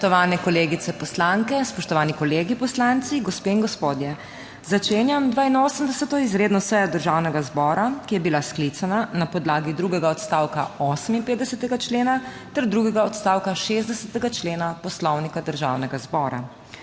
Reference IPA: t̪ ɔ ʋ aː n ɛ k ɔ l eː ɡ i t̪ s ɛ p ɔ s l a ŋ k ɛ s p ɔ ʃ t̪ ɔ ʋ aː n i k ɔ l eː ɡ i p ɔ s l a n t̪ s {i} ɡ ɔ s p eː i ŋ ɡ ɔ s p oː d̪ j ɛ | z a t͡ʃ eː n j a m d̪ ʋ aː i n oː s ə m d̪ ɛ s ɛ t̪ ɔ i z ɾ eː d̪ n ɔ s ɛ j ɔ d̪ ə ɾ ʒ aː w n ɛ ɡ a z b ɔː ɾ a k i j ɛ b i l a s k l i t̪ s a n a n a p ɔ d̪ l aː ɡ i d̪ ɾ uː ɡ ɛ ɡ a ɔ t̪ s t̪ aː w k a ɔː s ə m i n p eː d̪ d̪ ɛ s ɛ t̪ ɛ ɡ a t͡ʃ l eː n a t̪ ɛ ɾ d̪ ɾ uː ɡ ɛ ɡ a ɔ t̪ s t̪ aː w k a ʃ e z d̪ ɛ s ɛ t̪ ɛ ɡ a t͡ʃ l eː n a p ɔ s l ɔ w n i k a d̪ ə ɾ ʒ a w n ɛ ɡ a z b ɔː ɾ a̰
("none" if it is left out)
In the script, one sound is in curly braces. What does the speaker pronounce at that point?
i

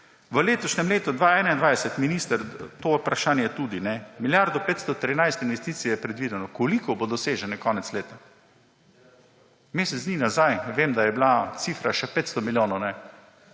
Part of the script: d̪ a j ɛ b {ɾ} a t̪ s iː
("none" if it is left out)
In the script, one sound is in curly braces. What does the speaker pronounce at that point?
l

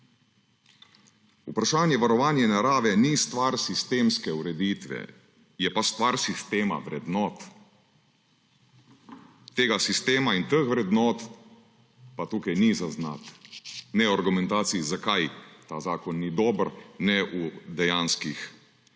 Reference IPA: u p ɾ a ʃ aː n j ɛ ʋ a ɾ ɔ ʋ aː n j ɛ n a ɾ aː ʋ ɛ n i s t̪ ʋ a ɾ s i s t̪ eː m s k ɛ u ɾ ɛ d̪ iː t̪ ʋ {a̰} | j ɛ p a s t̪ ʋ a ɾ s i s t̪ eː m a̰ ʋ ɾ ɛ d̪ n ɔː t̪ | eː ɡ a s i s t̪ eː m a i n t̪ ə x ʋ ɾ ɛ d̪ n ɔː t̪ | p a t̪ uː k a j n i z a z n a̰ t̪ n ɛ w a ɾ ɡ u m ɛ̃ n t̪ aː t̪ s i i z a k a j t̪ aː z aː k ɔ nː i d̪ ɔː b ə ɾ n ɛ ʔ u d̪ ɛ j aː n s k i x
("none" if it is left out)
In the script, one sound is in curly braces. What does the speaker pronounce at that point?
ɛ̰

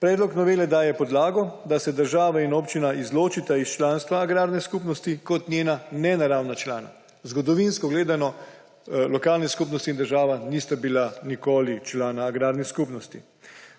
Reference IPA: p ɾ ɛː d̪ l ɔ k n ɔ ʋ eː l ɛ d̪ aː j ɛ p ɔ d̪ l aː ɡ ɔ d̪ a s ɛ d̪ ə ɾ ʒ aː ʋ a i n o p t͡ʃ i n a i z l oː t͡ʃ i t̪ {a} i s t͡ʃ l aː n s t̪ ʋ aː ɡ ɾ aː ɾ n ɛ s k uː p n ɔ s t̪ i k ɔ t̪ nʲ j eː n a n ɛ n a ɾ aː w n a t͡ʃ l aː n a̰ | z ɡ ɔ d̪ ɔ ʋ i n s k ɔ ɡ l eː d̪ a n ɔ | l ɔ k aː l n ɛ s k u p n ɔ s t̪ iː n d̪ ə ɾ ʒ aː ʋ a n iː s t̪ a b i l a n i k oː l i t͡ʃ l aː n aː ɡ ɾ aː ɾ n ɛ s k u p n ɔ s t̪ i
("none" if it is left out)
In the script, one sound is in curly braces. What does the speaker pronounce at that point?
a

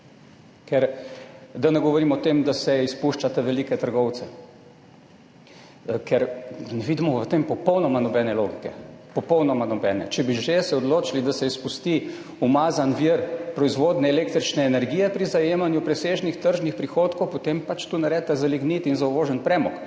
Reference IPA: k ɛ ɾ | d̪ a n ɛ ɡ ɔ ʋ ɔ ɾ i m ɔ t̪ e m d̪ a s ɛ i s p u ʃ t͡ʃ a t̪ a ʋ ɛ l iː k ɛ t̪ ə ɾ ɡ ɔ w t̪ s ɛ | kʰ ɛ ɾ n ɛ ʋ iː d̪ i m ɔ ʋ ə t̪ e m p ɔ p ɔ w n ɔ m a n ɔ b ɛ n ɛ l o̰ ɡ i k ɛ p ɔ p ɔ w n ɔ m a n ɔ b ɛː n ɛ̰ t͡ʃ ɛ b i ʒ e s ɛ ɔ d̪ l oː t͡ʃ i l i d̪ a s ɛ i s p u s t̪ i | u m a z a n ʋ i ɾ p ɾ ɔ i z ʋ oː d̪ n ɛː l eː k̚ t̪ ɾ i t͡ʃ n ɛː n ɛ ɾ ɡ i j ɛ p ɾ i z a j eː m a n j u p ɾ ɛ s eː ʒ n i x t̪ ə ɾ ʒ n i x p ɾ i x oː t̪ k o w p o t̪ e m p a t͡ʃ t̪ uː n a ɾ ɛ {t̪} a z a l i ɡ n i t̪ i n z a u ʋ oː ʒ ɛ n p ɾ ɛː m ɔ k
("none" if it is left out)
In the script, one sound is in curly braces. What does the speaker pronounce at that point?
t̪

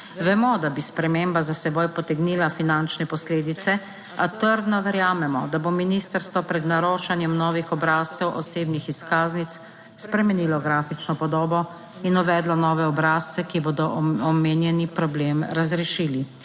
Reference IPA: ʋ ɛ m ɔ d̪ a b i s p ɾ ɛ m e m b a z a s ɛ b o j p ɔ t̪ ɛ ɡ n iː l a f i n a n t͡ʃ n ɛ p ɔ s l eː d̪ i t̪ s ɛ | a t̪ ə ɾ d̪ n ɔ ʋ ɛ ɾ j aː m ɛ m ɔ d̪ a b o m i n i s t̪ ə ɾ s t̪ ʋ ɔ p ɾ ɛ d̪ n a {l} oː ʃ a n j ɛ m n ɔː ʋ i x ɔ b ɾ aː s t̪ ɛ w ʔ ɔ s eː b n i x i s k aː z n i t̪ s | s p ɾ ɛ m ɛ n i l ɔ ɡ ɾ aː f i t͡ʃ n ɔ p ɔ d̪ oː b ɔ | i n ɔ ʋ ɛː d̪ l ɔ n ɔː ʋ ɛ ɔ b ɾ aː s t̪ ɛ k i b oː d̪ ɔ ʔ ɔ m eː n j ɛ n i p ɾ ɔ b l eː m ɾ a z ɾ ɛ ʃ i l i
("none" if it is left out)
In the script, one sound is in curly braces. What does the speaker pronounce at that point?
ɾ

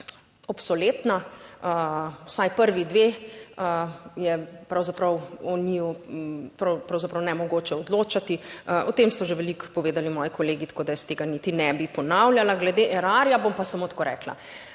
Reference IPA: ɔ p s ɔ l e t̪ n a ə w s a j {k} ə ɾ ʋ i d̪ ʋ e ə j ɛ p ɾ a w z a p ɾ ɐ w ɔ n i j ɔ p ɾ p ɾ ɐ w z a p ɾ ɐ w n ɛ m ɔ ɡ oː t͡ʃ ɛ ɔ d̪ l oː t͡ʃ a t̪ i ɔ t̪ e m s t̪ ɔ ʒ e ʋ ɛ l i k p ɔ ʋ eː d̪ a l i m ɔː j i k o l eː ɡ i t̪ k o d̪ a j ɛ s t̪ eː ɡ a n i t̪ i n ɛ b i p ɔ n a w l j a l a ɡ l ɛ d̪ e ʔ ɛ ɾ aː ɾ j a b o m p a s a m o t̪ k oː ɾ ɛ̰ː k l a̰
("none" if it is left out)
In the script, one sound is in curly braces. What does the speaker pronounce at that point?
p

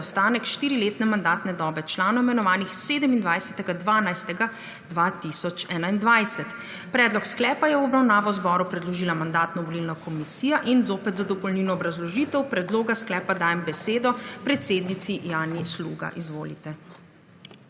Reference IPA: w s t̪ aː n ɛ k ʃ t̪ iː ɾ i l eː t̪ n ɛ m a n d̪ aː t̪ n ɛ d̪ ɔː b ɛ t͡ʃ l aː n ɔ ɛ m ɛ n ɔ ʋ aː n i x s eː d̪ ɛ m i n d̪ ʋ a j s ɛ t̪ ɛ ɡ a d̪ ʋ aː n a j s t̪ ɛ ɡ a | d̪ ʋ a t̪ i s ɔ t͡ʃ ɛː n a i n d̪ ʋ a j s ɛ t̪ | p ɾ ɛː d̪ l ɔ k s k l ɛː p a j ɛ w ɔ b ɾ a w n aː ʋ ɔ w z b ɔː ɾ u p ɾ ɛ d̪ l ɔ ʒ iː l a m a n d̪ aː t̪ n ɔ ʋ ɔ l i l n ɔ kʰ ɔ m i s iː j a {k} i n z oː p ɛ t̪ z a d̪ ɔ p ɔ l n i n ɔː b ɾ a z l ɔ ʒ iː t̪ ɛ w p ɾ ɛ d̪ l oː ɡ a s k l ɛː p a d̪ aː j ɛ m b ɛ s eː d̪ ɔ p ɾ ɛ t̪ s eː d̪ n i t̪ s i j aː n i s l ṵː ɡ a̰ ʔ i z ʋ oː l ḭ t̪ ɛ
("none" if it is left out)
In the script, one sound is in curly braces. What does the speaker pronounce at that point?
ʔ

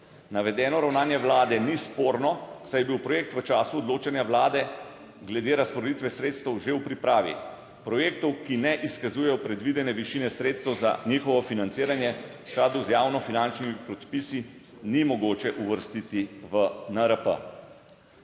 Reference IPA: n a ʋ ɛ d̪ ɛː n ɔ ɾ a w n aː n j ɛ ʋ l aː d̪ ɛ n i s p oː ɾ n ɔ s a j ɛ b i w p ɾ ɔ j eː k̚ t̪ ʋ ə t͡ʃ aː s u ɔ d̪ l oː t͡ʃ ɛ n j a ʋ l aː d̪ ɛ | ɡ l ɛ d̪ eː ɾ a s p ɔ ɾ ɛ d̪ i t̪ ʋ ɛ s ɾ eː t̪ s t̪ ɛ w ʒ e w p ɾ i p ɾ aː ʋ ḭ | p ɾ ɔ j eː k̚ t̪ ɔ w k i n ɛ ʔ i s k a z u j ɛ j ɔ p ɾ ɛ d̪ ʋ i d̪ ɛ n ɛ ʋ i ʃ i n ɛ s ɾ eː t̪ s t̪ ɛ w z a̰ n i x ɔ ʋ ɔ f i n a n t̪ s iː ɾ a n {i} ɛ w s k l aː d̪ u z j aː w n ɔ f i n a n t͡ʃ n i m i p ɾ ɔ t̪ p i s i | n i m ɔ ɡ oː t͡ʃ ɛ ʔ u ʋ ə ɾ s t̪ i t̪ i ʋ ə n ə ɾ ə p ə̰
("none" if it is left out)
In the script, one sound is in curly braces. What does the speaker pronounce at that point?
j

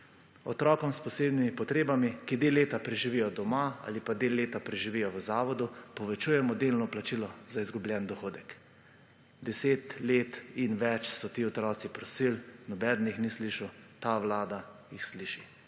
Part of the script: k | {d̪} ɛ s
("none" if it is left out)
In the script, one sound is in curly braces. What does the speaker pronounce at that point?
d̪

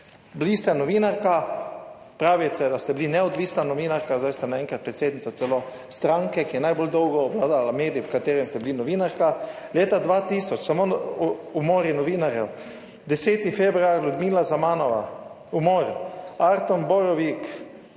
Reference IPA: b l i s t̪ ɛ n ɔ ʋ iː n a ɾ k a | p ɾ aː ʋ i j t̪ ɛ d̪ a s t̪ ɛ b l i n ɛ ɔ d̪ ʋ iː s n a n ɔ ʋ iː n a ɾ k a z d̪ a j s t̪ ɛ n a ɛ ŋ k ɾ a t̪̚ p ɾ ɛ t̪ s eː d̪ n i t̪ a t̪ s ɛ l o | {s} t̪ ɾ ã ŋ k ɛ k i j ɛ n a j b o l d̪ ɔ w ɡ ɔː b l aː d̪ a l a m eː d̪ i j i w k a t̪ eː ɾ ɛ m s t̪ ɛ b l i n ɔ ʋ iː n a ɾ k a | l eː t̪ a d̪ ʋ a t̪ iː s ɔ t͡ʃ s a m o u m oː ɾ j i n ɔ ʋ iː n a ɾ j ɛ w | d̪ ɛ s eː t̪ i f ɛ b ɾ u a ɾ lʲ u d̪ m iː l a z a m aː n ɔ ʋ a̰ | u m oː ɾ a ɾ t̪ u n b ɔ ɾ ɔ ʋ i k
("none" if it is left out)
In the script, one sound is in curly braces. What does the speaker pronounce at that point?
s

